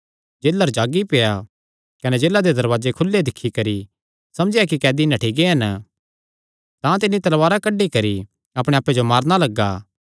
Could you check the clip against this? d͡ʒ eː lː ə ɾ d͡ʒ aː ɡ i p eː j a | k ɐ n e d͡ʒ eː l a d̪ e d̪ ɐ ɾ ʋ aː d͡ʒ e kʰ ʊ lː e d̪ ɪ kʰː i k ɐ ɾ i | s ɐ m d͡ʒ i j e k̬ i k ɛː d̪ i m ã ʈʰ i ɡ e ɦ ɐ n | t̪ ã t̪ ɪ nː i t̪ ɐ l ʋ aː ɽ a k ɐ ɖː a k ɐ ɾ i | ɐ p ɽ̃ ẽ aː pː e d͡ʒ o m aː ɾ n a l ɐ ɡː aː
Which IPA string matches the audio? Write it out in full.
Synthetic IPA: d͡ʒ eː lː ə ɾ d͡ʒ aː ɡ i p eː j a | k ɐ n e d͡ʒ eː l a d̪ e d̪ ɐ ɾ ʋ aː d͡ʒ e kʰ ʊ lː e d̪ ɪ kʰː i k ɐ ɾ i | s ɐ m d͡ʒ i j a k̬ i k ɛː d̪ i n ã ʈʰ i ɡ e ɦ ɐ n | t̪ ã t̪ ɪ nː i t̪ ɐ l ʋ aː ɾ a k ɐ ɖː i k ɐ ɾ i | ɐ p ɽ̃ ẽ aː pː e d͡ʒ o m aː ɾ n a l ɐ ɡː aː